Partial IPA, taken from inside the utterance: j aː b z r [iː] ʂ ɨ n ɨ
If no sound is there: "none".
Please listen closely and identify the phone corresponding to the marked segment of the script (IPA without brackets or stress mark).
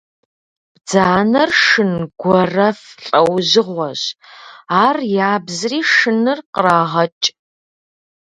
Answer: iː